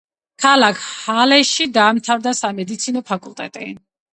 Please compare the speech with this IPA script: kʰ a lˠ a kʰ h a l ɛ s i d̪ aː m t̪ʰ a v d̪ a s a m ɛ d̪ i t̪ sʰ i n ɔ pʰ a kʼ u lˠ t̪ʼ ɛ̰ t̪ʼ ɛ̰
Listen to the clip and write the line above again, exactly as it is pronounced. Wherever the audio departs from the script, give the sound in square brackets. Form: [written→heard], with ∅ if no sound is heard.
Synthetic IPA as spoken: kʰ a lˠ a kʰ h a l ɛ [s→ʃ] i d̪ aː m t̪ʰ a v d̪ a s a m ɛ d̪ i t̪ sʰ i n ɔ pʰ a kʼ u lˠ t̪ʼ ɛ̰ t̪ʼ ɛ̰

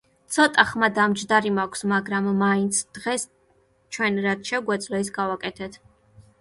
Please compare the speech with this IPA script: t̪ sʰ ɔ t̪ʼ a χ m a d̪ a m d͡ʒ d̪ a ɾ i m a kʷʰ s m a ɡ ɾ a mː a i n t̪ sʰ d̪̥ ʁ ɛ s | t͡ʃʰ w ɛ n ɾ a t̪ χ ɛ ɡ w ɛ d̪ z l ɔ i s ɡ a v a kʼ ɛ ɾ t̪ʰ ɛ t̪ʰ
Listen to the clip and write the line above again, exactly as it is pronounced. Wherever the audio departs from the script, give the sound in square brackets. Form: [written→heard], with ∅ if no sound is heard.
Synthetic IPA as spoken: t̪ sʰ ɔ t̪ʼ a χ m a d̪ a m d͡ʒ d̪ a ɾ i m a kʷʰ s m a ɡ ɾ a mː a i n t̪ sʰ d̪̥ ʁ ɛ s | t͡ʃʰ w ɛ n ɾ a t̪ [χ→ʃ] ɛ ɡ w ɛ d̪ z l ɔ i s ɡ a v a kʼ ɛ [ɾ→∅] t̪ʰ ɛ t̪ʰ

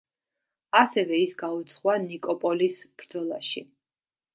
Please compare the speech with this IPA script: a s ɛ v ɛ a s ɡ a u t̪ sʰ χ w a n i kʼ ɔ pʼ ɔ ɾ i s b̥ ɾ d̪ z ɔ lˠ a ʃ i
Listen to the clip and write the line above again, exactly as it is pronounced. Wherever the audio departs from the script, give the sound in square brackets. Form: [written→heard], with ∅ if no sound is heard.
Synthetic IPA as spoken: a s ɛ v ɛ [a→i] s ɡ a u t̪ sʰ χ w a n i kʼ ɔ pʼ ɔ [ɾ→l] i s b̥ ɾ d̪ z ɔ lˠ a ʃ i

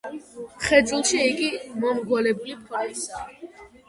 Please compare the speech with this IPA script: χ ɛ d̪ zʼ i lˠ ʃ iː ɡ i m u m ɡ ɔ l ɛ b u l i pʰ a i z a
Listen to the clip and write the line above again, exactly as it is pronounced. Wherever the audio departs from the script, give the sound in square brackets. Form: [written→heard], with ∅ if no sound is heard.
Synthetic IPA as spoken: χ ɛ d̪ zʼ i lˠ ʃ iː ɡ i m [u→ɔ] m ɡ ɔ l ɛ b u l i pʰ a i [z→s] a

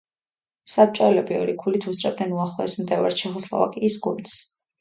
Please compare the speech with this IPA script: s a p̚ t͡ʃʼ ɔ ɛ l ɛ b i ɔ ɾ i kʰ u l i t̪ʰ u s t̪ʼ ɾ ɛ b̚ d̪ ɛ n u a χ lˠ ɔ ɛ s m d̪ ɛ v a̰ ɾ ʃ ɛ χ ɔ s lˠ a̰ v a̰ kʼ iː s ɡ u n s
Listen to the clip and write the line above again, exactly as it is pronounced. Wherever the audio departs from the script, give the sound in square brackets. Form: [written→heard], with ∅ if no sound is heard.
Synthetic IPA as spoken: s a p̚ t͡ʃʼ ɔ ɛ l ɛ b i ɔ ɾ i kʰ u l i t̪ʰ u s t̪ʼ ɾ ɛ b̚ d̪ ɛ n u a χ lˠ ɔ ɛ s m d̪ ɛ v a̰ ɾ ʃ ɛ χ ɔ s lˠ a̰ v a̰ kʼ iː s ɡ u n s

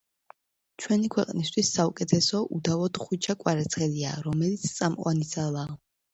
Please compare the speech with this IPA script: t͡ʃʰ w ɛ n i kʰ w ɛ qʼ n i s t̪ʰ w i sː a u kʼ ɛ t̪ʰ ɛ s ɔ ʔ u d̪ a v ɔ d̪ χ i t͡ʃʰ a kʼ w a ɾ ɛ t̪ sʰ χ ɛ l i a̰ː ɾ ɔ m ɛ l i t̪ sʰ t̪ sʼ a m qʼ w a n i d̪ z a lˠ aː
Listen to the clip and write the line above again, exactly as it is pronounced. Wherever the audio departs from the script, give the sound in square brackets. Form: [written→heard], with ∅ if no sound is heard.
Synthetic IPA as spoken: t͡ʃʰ w ɛ n i kʰ w ɛ qʼ n i s t̪ʰ w i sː a u kʼ ɛ t̪ʰ ɛ s ɔ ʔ u d̪ a v ɔ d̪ χ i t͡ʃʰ a kʼ w a ɾ ɛ t̪ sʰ χ ɛ l i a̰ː ɾ ɔ m ɛ l i t̪ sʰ t̪ sʼ a m qʼ w a n i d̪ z a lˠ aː

